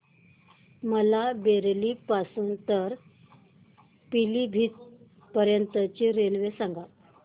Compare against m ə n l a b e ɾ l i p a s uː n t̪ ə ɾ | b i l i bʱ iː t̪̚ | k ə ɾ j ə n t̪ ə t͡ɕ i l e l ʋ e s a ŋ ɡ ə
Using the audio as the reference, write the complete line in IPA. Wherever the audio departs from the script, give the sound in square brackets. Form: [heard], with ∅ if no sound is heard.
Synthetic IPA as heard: m ə [∅] l a b e ɾ l i p a s uː n t̪ ə ɾ | [p] i l i bʱ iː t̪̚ | [p] ə ɾ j ə n t̪ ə t͡ɕ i [ɾ] e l ʋ e s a ŋ ɡ [a]

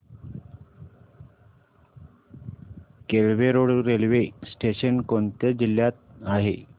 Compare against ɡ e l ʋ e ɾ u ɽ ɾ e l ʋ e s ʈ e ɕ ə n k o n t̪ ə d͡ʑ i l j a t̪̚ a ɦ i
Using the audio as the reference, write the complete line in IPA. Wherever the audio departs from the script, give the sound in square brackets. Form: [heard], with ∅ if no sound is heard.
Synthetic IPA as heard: [k] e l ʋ e ɾ [o] ɽ ɾ e l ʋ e s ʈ e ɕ ə n k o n t̪ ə d͡ʑ i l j a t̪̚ a ɦ [e]

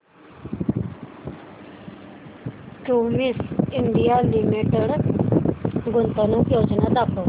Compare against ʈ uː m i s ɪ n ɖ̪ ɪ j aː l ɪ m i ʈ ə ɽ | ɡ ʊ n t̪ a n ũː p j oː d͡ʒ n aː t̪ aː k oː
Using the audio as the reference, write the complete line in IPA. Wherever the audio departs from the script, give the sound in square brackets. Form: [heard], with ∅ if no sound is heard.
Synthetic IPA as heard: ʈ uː m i s ɪ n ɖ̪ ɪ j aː l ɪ m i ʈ ə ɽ | ɡ ʊ n t̪ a n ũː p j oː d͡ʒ n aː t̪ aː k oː

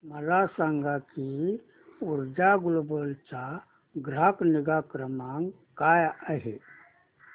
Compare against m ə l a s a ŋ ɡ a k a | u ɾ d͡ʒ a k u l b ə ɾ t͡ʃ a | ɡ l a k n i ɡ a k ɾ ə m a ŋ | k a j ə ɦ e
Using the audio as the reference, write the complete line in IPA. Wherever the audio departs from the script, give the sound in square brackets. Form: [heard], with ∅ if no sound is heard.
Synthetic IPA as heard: m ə l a s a ŋ ɡ a k [i] | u ɾ d͡ʒ a [ɡ] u l b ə [l] t͡ʃ a | ɡ [ɾ] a k n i ɡ a k ɾ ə m a ŋ | k a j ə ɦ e

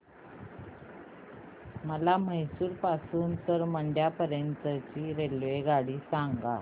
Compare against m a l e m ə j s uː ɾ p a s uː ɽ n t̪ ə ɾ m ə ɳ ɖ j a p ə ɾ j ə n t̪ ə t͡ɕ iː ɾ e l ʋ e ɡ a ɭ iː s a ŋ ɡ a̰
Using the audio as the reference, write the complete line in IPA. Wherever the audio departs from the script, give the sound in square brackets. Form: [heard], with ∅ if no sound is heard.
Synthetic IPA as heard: m [ə] l [a] m ə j s uː ɾ p a s uː [∅] n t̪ ə ɾ m ə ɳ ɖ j a p ə ɾ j ə n t̪ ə t͡ɕ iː ɾ e l ʋ e ɡ a [ɽ] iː s a ŋ ɡ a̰

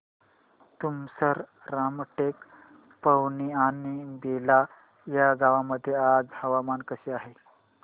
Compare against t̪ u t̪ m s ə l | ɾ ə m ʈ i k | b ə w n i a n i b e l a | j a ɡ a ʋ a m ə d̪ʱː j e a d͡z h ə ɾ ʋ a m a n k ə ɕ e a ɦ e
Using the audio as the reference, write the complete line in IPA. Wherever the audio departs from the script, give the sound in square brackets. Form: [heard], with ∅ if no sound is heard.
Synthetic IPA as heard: t̪ u [∅] m s ə [ɾ] | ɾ [a] m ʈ [e] k | [p] ə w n i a n i b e l a | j a ɡ a ʋ a m ə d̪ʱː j e a d͡z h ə [∅] ʋ a m a n k ə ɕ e a ɦ e

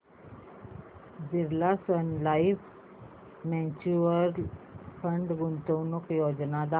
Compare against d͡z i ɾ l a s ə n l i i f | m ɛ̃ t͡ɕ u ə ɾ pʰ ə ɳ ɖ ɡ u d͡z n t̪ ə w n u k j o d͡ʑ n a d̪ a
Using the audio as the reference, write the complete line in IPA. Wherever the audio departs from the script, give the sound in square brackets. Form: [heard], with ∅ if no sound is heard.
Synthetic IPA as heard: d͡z i ɾ l a s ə n l [a] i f | m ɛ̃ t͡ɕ u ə ɾ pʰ ə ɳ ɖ ɡ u [∅] n t̪ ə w n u k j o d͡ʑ n a d̪ a

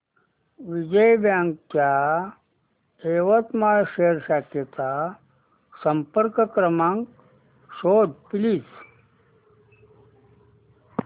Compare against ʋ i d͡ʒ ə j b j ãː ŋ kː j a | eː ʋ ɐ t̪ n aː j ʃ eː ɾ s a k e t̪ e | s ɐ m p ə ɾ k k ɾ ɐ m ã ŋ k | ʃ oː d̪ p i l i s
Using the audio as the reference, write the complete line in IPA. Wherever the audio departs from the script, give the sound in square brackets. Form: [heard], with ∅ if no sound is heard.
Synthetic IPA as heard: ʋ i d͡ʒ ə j b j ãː ŋ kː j a | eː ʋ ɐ t̪ [m] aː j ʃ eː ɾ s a k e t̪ [a] | s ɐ m p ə ɾ k k ɾ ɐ m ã ŋ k | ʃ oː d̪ p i l i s

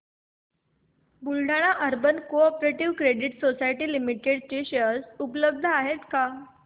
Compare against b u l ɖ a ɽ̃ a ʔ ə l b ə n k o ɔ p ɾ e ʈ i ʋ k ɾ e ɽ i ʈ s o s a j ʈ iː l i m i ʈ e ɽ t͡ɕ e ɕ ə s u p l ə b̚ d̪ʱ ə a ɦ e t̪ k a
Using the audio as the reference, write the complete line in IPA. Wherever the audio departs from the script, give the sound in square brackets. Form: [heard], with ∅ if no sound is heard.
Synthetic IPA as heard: b u l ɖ a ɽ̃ a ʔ ə [ɾ] b ə n k o ɔ p ɾ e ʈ i ʋ k ɾ e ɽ i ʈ s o s a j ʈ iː l i m i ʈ e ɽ t͡ɕ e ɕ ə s u p l ə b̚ d̪ʱ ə a ɦ e t̪ k a

